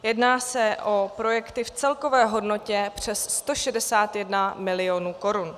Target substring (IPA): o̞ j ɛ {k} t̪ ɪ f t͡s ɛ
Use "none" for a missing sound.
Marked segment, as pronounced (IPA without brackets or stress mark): k